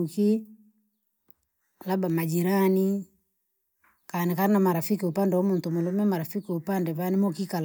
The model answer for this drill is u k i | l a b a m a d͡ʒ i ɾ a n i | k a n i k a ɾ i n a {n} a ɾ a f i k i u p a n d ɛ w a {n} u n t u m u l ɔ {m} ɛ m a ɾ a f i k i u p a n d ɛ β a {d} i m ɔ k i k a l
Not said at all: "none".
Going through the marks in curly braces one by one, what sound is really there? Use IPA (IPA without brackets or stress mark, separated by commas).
m, m, m, n